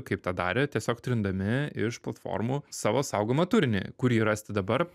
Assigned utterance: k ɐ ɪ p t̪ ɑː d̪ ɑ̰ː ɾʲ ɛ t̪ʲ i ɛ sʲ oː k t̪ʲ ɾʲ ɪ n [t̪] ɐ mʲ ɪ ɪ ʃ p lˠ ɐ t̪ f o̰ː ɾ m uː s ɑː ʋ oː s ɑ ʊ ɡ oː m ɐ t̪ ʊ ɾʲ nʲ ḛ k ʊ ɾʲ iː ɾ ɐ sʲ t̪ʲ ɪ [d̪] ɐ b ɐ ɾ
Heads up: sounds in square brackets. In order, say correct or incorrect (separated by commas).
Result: incorrect, correct